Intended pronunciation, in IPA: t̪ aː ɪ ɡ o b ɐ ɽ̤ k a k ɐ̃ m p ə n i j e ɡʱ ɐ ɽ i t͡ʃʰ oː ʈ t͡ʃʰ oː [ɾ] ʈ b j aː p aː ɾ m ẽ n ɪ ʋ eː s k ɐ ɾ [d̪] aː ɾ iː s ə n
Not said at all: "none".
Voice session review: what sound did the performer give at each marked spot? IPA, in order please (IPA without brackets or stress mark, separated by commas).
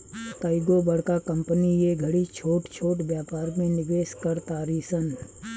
none, t̪